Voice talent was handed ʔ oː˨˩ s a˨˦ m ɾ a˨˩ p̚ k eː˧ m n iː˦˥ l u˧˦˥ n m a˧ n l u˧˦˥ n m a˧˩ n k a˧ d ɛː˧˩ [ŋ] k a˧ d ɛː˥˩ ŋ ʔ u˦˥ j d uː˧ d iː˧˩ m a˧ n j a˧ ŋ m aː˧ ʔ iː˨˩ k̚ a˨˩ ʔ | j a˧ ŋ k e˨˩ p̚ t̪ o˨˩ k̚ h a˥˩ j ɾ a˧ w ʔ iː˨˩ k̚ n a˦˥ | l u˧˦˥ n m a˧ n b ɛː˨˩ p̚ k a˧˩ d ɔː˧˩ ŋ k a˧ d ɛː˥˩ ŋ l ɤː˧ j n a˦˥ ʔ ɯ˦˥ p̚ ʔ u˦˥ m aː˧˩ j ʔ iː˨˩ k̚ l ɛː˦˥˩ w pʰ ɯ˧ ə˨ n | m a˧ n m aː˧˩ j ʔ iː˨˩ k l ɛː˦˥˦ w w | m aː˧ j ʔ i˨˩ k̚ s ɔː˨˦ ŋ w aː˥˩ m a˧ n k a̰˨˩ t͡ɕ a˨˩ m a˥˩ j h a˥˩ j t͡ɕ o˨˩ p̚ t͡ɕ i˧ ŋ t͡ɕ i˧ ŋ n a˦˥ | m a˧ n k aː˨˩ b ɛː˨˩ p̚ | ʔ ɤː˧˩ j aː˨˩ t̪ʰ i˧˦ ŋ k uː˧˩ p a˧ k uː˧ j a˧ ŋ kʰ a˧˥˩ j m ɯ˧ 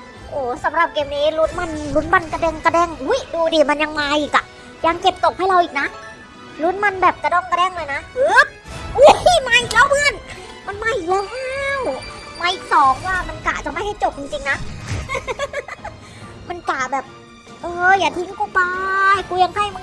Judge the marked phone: correct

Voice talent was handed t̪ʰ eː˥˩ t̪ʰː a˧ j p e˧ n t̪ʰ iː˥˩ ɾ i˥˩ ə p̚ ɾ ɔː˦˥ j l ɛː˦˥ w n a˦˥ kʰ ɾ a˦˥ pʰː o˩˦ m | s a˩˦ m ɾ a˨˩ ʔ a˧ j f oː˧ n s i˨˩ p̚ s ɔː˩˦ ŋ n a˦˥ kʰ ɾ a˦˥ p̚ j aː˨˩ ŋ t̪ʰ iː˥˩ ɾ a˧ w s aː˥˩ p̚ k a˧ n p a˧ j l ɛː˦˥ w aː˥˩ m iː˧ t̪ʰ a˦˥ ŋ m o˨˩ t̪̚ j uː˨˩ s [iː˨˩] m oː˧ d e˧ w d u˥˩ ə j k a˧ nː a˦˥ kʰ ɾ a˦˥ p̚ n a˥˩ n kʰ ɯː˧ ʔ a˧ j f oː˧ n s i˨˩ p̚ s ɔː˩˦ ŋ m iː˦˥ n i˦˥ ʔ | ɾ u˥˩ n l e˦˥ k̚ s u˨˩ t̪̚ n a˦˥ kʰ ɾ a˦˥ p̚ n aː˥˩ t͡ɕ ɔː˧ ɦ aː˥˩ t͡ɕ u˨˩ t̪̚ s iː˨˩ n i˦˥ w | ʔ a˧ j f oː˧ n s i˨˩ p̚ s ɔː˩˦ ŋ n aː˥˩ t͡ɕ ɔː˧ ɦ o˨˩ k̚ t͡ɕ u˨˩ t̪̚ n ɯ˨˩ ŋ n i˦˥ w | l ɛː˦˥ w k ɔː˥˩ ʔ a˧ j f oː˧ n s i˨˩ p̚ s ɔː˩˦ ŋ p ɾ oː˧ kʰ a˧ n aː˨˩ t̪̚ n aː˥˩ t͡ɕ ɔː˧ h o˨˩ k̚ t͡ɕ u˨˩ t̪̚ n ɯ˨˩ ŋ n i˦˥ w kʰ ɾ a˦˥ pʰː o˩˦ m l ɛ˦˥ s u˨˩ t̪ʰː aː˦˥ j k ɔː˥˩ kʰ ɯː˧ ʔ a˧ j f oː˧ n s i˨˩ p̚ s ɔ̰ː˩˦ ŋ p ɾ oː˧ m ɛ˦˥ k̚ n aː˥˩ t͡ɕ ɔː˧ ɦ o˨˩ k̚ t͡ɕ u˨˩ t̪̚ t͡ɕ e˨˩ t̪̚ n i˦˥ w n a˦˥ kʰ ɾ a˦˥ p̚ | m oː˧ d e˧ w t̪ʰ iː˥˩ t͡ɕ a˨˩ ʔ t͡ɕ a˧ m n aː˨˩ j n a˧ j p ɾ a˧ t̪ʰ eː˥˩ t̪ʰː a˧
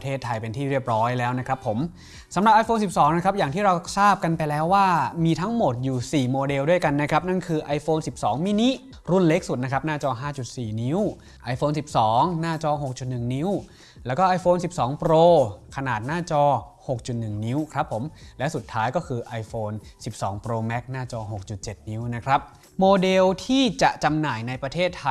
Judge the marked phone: correct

